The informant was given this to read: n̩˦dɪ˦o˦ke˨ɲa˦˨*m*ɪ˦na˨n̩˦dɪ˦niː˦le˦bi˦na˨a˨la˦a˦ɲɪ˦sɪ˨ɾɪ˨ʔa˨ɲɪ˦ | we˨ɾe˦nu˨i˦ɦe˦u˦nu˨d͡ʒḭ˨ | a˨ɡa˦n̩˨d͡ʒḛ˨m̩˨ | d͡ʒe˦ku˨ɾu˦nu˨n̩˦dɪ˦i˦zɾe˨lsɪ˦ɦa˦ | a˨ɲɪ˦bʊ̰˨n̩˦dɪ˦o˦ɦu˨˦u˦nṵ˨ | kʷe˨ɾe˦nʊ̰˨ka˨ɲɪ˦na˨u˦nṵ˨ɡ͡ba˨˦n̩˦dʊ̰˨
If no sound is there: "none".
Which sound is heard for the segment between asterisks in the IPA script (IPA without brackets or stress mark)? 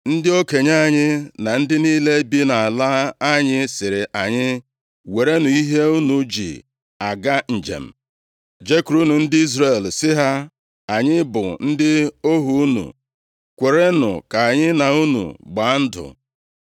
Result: ɲ